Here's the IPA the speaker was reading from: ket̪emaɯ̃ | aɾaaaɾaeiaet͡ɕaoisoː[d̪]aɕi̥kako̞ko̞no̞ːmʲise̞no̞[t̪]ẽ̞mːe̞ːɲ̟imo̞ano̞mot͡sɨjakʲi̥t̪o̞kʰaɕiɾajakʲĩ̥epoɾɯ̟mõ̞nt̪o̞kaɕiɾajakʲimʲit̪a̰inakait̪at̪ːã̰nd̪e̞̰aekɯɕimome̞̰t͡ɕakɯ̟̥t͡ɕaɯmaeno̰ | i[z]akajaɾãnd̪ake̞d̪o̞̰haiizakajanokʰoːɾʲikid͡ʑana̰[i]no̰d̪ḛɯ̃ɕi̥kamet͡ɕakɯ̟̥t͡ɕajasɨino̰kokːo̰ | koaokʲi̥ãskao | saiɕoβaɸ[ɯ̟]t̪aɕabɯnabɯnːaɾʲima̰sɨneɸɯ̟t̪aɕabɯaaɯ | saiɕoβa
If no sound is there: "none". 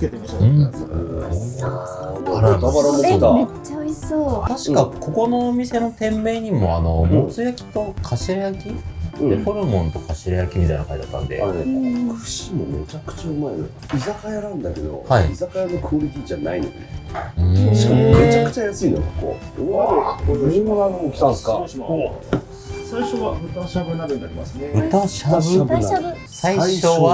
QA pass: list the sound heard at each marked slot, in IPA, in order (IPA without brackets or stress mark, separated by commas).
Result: t̪, t̪, z, i, ɯ̟